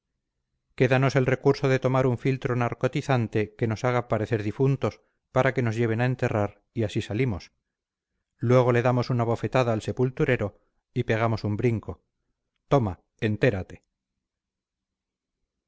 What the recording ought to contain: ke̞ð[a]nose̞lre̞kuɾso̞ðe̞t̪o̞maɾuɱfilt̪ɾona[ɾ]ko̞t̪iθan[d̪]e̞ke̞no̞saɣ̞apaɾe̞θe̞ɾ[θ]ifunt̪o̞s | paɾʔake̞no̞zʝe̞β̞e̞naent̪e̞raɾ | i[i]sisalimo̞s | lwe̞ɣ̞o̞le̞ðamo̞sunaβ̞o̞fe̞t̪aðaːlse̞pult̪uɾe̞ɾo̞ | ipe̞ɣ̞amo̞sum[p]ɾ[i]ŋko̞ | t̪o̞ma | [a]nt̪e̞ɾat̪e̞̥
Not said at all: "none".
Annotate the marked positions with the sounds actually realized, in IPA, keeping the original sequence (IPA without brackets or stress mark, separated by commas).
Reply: a, ɾ, t̪, ð, a, b, i, e